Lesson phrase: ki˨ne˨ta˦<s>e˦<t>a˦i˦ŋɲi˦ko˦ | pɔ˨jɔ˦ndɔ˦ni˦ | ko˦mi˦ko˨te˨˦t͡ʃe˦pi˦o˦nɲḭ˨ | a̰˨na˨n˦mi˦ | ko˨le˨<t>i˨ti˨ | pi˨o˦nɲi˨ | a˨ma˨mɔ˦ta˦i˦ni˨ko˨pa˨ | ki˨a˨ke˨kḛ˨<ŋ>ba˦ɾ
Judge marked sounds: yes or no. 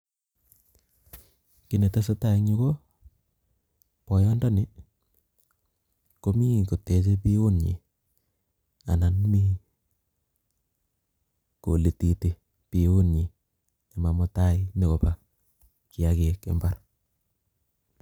yes, yes, yes, no

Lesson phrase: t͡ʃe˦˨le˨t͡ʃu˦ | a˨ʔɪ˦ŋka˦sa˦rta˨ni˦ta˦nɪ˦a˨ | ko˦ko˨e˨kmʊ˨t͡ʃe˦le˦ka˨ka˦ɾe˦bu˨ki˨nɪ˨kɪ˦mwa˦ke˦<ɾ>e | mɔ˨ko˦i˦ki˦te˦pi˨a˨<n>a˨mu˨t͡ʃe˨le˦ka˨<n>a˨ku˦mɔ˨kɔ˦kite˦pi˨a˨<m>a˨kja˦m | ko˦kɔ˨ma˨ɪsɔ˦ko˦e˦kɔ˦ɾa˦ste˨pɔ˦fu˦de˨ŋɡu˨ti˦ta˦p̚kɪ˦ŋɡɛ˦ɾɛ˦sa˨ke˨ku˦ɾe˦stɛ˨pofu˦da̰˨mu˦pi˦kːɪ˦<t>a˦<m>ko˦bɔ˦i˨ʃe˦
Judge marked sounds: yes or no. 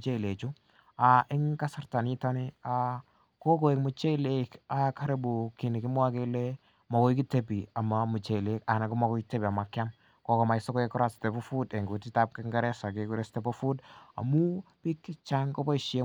no, no, yes, yes, no, no

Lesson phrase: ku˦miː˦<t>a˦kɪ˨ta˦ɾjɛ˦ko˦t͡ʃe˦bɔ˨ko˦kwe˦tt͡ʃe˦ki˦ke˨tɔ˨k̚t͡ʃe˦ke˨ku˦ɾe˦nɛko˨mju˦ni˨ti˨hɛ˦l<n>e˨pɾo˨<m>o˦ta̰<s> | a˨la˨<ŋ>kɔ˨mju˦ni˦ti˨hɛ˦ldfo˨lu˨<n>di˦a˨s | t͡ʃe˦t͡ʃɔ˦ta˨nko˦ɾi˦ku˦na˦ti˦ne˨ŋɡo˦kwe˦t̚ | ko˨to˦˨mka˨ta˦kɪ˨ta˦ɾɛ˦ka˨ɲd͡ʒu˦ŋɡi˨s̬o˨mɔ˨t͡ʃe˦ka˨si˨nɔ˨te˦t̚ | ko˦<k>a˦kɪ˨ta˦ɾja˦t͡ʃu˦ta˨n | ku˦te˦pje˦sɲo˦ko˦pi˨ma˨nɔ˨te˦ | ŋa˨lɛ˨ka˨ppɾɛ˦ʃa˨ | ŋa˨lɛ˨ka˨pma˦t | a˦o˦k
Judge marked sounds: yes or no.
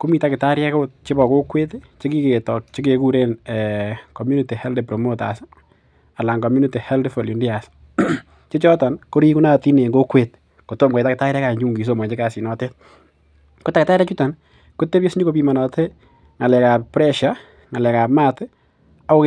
yes, no, yes, yes, yes, yes, no

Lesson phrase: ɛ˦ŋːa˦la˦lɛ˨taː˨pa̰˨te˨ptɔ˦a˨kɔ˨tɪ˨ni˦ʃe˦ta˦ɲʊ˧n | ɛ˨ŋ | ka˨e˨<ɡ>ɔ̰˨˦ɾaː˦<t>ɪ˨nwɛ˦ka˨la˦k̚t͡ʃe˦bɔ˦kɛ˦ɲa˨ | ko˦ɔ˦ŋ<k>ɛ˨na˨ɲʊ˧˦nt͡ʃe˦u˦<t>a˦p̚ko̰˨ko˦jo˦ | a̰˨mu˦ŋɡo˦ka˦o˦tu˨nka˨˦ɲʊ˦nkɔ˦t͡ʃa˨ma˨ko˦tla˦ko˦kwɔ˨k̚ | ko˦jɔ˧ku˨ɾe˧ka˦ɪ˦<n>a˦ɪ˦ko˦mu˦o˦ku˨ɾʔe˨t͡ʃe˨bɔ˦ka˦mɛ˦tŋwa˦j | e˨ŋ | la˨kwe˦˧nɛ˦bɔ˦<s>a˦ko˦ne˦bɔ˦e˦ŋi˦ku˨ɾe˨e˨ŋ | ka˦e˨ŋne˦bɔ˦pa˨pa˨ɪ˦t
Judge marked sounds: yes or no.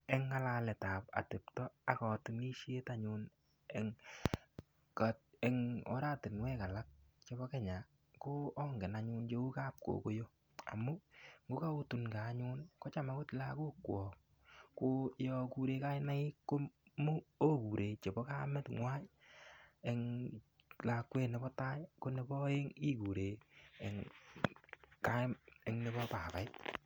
no, yes, no, no, yes, no

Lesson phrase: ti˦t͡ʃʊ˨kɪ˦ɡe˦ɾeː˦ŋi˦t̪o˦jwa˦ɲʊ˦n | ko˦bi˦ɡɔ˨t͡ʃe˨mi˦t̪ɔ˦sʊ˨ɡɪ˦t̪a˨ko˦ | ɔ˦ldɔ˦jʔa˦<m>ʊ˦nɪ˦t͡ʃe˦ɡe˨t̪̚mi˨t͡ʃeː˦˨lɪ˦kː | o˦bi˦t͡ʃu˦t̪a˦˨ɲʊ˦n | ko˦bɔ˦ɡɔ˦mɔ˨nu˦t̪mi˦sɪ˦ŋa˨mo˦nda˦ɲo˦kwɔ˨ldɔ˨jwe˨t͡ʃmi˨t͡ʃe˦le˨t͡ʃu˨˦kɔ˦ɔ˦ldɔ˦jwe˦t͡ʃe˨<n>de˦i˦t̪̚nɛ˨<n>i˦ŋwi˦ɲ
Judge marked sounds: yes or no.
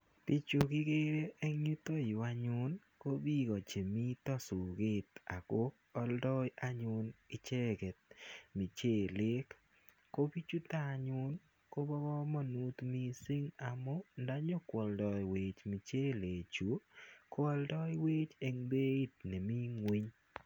no, no, no

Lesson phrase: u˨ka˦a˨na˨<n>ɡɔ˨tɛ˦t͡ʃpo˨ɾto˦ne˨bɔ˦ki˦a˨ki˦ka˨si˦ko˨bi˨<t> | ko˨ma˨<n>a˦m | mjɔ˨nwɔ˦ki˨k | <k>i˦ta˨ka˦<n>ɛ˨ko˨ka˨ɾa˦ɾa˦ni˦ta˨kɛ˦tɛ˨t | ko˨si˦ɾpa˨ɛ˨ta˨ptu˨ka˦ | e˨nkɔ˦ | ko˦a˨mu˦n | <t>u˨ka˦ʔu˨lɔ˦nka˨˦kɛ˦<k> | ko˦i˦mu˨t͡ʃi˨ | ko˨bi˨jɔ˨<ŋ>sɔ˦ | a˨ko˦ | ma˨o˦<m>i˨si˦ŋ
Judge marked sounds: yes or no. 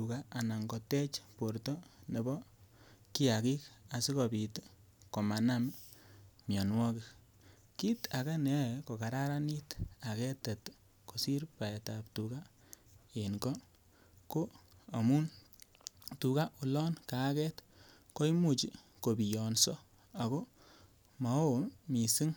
no, yes, yes, yes, yes, yes, no, no, yes

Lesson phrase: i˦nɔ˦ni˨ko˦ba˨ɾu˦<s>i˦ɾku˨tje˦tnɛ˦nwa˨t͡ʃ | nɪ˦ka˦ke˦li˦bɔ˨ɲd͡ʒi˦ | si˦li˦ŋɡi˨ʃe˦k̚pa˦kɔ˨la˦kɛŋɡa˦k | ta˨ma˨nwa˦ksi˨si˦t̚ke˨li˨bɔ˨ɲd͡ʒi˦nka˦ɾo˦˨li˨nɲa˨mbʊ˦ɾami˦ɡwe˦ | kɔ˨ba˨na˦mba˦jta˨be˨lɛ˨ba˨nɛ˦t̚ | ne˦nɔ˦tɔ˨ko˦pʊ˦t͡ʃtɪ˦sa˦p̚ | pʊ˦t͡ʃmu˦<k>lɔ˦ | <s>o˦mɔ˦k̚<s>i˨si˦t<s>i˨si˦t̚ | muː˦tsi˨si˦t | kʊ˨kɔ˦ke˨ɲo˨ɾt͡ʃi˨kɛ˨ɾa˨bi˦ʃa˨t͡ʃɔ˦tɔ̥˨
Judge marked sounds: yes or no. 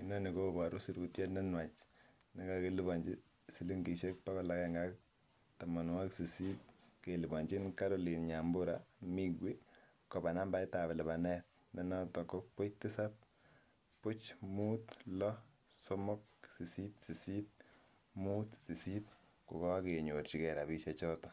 yes, no, yes, yes, yes

